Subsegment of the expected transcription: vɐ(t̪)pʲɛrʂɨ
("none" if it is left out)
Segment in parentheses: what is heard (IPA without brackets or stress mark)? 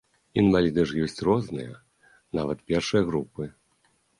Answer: t̪